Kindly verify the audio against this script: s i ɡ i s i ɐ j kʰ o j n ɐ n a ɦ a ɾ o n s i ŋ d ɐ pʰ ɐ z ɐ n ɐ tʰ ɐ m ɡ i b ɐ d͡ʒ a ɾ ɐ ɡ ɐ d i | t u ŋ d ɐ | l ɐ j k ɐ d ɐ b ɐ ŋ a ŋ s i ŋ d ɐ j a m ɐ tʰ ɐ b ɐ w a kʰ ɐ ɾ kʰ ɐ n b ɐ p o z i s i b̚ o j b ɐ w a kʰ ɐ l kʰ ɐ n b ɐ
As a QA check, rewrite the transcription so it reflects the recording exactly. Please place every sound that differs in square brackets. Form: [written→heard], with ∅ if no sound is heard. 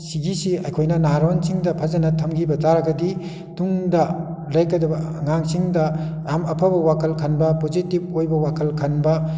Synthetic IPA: s i ɡ i s i ɐ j kʰ o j n ɐ n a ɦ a ɾ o n s i ŋ d ɐ pʰ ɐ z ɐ n ɐ tʰ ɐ m ɡ i b ɐ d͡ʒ a ɾ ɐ ɡ ɐ d i | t u ŋ d ɐ | l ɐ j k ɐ d ɐ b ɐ ŋ a ŋ s i ŋ d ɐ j a m ɐ [tʰ→pʰ] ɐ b ɐ w a kʰ ɐ [ɾ→l] kʰ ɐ n b ɐ p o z i [s→t] i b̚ o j b ɐ w a kʰ ɐ l kʰ ɐ n b ɐ